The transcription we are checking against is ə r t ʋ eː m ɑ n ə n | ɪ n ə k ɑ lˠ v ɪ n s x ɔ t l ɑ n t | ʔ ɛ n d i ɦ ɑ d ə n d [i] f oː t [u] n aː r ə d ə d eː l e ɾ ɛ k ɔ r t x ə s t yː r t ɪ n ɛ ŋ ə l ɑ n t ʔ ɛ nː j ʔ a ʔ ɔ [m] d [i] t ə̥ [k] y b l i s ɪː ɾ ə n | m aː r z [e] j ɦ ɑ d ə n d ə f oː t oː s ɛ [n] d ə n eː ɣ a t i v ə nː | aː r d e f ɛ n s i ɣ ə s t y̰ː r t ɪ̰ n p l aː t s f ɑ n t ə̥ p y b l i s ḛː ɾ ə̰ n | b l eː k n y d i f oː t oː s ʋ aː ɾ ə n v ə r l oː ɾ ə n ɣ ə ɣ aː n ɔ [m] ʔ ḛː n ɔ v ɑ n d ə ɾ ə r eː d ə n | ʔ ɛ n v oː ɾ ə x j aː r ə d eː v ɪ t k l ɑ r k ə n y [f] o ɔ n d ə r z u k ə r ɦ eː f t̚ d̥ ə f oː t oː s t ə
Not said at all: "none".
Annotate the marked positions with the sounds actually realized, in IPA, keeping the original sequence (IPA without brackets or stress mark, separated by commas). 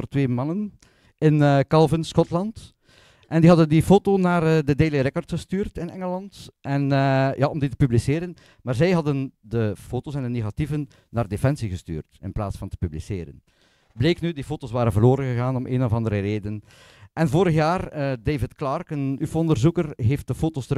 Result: i, o, m, i, p, ɛ, n, m, f